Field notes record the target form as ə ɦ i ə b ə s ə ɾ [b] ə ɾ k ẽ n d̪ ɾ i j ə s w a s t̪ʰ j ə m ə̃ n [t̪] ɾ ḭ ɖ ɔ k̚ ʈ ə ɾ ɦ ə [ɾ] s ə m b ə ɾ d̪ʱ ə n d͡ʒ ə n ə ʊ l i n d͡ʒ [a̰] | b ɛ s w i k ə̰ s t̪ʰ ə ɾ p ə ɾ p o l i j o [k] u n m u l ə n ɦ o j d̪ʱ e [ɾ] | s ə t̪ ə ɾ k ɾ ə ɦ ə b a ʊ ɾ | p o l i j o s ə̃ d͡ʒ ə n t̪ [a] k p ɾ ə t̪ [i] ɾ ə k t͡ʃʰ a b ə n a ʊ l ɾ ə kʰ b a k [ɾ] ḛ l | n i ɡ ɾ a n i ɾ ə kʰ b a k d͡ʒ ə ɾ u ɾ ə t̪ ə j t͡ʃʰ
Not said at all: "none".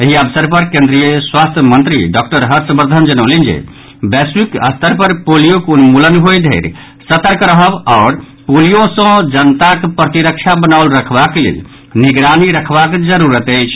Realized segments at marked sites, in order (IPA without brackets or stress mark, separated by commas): p, t̪, ɾ, ḛ, k, ɾ, a, i, l